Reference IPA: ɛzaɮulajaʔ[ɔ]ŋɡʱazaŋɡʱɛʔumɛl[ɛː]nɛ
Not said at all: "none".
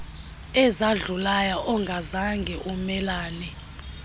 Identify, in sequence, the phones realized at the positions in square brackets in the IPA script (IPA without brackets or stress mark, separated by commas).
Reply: ɔ, aː